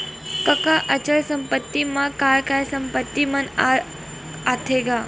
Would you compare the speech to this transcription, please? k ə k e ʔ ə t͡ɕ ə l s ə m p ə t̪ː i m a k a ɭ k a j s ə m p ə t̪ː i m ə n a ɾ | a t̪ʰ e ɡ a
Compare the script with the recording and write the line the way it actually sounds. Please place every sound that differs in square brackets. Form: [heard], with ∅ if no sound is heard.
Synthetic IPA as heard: k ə k [a] ʔ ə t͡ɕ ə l s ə m p ə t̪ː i m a k a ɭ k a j s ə m p ə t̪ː i m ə n a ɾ | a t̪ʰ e ɡ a